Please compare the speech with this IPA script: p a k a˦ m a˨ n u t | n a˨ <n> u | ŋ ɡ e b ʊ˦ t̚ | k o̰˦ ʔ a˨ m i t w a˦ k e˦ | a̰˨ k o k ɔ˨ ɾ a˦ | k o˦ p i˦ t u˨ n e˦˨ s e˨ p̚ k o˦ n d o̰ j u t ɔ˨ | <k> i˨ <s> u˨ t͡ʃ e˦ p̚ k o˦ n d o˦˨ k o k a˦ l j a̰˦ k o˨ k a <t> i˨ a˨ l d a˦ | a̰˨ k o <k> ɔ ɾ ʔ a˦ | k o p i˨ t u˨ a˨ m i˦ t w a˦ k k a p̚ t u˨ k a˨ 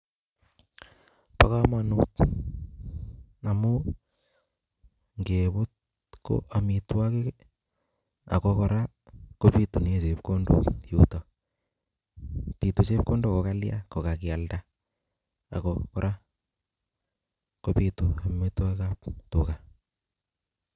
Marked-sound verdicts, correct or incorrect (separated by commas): incorrect, incorrect, incorrect, incorrect, correct